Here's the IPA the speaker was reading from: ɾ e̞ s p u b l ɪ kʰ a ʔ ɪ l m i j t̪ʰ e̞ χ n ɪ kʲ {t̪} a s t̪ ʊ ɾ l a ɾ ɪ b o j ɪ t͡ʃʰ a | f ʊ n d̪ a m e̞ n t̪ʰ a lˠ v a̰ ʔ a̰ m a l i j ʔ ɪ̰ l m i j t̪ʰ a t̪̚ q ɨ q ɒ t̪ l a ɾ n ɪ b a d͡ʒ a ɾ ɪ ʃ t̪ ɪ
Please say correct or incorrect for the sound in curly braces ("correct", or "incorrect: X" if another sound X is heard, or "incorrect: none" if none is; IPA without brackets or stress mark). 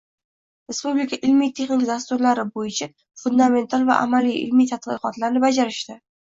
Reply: incorrect: d̪